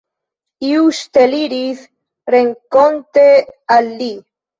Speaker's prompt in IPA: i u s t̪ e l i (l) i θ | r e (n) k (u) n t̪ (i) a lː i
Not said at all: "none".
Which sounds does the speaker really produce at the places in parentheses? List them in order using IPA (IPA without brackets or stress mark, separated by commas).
ɾ, ŋ, o, e